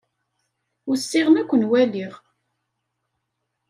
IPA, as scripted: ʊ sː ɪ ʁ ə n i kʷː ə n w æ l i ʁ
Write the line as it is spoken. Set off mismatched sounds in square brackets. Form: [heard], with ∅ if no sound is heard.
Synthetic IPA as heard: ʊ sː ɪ ʁ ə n [æ] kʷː ə n w æ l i ʁ

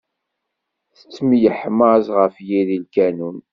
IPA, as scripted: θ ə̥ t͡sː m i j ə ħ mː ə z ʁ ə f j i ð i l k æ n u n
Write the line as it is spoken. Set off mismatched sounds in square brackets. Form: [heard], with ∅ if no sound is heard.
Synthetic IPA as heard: θ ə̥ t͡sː m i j ə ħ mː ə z ʁ ə f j i ð i l k æ n u n

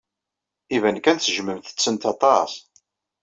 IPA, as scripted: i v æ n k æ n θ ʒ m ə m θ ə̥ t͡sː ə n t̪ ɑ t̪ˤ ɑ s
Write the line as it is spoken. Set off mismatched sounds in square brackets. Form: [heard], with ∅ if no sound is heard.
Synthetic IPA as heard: i v æ n k æ n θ ʒ m ə m θ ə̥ t͡sː ə n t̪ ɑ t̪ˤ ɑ s

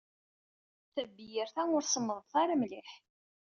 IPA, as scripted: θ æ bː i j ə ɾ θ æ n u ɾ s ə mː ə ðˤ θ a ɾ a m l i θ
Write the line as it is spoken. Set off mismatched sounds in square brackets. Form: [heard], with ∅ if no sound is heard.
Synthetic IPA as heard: θ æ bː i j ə ɾ θ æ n [ʊ] ɾ s ə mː ə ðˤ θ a ɾ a m l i [ħ]

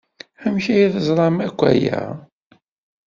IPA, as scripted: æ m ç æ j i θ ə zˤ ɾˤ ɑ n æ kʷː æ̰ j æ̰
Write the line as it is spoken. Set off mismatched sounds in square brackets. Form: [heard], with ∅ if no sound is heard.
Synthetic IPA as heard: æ m ç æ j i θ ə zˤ ɾˤ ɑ [m] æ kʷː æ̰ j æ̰

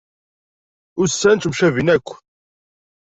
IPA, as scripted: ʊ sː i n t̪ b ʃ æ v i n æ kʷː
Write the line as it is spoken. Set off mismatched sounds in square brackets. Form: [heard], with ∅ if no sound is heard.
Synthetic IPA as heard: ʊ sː [æ] n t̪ [m] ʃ æ v i n æ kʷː

